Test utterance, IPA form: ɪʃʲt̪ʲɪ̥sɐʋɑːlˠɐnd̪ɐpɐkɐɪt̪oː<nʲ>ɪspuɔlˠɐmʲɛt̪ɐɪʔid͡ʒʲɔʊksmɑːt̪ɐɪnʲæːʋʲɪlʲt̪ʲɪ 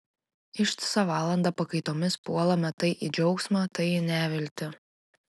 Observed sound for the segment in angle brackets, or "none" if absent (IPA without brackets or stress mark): mʲ